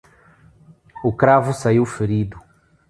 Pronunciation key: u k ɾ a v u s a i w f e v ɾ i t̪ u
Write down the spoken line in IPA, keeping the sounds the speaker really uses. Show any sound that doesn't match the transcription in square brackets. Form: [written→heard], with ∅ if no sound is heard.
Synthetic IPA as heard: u k ɾ a v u s a i w f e [v→∅] ɾ i [t̪→d̪] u

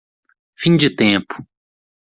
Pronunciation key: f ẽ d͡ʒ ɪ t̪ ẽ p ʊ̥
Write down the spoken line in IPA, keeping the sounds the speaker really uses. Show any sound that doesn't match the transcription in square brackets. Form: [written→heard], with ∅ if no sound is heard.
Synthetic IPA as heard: f [ẽ→ĩ] d͡ʒ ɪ t̪ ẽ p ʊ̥

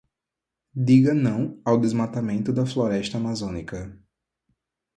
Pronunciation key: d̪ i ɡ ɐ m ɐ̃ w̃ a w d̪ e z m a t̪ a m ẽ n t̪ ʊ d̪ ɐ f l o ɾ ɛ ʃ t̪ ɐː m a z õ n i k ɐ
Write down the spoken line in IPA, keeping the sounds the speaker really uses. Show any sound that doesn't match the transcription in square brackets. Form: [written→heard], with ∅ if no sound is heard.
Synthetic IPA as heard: d̪ i ɡ ɐ [m→n] ɐ̃ w̃ a w d̪ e z m a t̪ a m ẽ n t̪ ʊ d̪ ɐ f l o ɾ ɛ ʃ t̪ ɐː m a z õ n i k ɐ

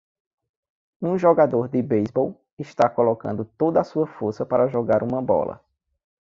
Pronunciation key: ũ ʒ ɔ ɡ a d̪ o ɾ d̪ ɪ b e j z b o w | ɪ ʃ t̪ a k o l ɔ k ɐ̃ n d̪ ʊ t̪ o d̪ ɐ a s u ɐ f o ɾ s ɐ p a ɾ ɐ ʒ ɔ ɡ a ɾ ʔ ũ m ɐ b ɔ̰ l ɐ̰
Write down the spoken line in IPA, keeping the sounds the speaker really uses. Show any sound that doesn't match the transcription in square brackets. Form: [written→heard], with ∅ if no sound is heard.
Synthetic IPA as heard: ũ ʒ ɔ ɡ a d̪ o ɾ d̪ ɪ b e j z b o w | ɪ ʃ t̪ a k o l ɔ k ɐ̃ n d̪ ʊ t̪ o d̪ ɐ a s u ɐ f o ɾ s ɐ p a ɾ ɐ ʒ ɔ ɡ a ɾ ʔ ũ m ɐ b ɔ̰ l ɐ̰

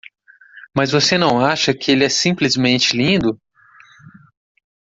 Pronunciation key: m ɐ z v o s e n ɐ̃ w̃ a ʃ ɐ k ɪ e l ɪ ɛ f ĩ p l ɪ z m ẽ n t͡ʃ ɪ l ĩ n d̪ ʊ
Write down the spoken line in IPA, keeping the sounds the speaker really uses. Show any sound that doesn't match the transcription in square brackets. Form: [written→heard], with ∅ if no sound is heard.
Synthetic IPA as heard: m ɐ z v o s e n ɐ̃ w̃ a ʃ ɐ k ɪ e l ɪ ɛ [f→s] ĩ p l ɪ z m ẽ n t͡ʃ ɪ l ĩ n d̪ ʊ

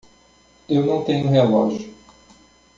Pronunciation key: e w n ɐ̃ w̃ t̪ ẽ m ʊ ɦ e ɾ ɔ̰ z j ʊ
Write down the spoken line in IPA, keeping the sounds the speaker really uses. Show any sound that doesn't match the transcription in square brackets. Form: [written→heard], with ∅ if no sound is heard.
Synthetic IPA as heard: e w n ɐ̃ w̃ t̪ ẽ [m→ɲ] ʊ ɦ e [ɾ→l] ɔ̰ [z→ʒ] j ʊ

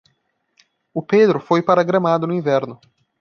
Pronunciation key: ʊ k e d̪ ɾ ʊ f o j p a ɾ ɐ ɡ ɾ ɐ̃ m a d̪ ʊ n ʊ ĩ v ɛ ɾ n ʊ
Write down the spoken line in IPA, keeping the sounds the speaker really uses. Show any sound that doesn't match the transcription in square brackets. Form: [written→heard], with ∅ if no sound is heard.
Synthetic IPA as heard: ʊ [k→p] e d̪ ɾ ʊ f o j p a ɾ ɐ ɡ ɾ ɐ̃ m a d̪ ʊ n ʊ ĩ v ɛ ɾ n ʊ

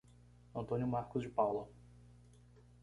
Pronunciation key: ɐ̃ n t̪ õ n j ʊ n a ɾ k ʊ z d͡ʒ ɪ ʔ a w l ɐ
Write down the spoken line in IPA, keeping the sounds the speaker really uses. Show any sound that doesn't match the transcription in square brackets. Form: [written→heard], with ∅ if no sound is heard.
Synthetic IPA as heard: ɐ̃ n t̪ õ n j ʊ [n→m] a ɾ k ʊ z d͡ʒ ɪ [ʔ→p] a w l ɐ

